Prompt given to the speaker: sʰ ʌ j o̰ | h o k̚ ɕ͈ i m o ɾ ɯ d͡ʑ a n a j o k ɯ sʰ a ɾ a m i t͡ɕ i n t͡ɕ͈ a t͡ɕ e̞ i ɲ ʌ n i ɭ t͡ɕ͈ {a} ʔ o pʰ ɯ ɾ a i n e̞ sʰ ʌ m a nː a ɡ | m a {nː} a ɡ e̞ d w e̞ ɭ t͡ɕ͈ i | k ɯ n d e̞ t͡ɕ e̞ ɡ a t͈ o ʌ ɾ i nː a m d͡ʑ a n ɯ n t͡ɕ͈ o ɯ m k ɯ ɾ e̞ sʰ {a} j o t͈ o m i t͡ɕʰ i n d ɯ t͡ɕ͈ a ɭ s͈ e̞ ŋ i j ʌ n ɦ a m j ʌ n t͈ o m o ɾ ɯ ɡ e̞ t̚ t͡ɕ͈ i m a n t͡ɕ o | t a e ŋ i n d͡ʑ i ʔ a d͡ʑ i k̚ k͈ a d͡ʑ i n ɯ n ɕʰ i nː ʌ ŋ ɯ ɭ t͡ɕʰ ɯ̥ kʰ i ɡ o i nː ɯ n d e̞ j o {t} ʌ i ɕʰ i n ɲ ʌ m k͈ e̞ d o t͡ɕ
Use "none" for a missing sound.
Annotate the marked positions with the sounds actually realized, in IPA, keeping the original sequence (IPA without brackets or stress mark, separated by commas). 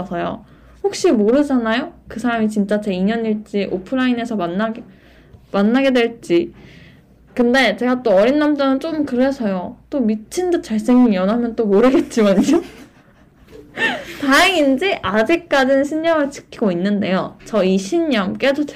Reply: i, nː, ʌ, t͡ɕ